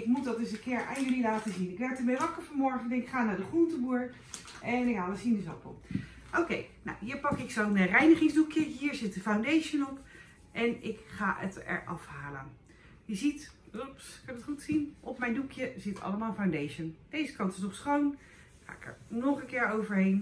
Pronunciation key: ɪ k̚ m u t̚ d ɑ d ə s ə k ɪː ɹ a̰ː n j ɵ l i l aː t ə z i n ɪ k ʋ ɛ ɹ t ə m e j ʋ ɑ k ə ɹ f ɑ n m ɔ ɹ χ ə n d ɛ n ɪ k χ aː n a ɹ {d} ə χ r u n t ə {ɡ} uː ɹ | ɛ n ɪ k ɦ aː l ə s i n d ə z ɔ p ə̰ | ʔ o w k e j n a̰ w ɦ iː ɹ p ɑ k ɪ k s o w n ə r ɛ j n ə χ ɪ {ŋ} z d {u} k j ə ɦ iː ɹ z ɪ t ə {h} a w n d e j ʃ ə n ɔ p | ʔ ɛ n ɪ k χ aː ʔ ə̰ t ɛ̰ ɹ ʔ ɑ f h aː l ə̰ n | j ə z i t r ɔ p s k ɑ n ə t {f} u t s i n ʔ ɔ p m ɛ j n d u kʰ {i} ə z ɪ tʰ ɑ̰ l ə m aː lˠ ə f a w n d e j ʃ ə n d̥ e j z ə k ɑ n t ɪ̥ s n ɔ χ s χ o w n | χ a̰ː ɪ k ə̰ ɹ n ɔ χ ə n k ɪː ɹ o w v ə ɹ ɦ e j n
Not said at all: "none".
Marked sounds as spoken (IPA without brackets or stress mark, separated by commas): d, b, ŋ, u, f, χ, j